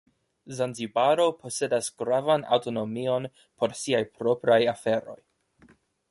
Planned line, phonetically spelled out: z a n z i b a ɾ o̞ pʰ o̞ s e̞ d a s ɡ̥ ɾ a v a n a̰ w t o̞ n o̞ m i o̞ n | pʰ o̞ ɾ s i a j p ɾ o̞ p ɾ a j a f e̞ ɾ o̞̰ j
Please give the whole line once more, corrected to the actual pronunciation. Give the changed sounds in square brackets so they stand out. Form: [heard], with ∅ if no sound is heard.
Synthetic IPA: z a n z i b a ɾ o̞ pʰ o̞ s e̞ d a s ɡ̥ ɾ a v a n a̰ w t o̞ n o̞ m i o̞ n | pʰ o̞ ɾ s i a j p ɾ o̞ p ɾ a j a f e̞ ɾ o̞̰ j